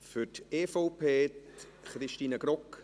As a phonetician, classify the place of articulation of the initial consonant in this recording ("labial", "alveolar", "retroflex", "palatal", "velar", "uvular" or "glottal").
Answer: labial